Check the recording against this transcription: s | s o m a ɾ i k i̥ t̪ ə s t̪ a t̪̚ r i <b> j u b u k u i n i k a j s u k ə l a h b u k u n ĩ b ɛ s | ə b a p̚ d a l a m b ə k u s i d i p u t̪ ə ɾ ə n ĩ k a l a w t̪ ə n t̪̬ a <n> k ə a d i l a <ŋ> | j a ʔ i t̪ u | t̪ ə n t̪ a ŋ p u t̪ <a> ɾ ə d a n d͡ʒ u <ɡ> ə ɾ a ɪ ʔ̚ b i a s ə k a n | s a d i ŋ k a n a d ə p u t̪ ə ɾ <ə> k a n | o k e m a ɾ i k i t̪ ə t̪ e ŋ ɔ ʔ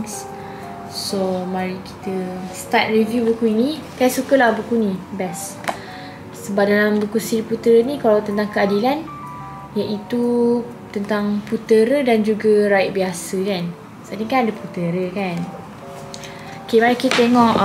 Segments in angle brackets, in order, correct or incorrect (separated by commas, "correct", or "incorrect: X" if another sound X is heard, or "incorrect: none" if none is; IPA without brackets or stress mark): incorrect: v, incorrect: ŋ, incorrect: n, incorrect: ə, correct, correct